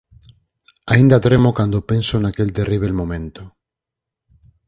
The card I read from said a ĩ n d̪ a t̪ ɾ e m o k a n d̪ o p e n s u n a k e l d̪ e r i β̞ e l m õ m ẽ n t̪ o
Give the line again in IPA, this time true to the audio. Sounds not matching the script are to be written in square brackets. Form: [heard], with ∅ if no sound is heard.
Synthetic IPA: a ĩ n d̪ a t̪ ɾ e m o k a n d̪ o p e n s [o] n a k e l [t̪] e r i β̞ e l m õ m ẽ n t̪ o